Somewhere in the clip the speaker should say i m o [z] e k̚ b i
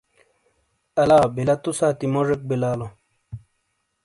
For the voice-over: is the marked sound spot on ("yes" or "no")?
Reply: no